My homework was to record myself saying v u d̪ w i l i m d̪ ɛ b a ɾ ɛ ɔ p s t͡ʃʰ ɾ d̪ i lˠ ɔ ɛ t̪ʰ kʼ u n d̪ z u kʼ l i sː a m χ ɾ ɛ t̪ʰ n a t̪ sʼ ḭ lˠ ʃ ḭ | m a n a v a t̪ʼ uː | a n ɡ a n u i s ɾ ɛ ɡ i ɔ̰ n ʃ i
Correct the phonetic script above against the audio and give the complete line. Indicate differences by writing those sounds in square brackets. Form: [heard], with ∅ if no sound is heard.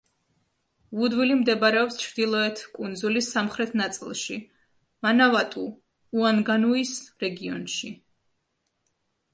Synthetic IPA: v u d̪ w i l i m d̪ ɛ b a ɾ ɛ ɔ p s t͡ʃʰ ɾ d̪ i lˠ ɔ ɛ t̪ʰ kʼ u n d̪ z u [∅] l i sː a m χ ɾ ɛ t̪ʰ n a t̪ sʼ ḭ lˠ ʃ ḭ | m a n a v a t̪ʼ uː | a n ɡ a n u i s ɾ ɛ ɡ i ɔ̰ n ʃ i